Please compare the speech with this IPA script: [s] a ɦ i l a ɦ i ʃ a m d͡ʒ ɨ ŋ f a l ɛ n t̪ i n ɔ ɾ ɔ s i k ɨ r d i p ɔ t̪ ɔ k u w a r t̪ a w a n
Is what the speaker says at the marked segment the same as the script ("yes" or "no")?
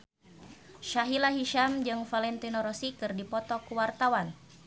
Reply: no